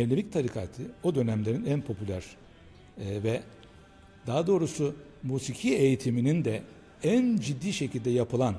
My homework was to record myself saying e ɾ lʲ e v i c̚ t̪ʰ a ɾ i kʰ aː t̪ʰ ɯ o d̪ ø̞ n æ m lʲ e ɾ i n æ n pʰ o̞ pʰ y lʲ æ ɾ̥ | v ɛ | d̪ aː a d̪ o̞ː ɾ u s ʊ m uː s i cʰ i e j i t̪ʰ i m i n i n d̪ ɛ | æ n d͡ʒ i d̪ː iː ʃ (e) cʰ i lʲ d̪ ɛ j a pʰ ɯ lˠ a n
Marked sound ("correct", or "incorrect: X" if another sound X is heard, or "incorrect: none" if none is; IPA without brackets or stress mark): correct